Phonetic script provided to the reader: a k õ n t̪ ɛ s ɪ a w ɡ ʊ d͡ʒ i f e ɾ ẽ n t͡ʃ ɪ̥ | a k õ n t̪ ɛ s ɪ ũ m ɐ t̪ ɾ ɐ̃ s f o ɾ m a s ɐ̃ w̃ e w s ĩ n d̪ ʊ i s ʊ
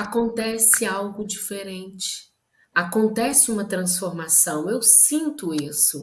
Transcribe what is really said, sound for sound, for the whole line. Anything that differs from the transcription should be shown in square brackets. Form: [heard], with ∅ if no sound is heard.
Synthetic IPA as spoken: a k õ n t̪ ɛ s ɪ a w ɡ ʊ d͡ʒ i f e ɾ ẽ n t͡ʃ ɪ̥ | a k õ n t̪ ɛ s ɪ ũ m ɐ t̪ ɾ ɐ̃ s f o ɾ m a s ɐ̃ w̃ e w s ĩ n [t̪] ʊ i s ʊ